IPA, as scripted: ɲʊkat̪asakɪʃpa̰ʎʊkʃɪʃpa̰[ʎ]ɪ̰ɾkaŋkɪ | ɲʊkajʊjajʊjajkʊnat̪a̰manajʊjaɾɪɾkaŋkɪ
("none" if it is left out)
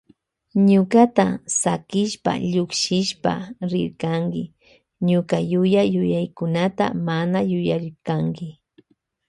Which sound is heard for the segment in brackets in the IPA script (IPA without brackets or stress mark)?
ɾ